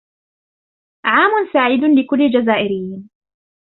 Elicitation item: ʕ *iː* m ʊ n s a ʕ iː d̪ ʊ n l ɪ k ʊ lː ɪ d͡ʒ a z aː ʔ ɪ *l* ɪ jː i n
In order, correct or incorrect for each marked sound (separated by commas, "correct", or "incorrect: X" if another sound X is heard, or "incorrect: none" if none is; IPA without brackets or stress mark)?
incorrect: aː, incorrect: ɾ